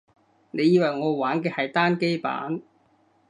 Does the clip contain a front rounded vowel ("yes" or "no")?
no